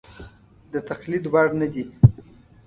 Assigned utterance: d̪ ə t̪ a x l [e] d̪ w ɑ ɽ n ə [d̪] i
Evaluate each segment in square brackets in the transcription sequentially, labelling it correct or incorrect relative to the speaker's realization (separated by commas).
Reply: incorrect, correct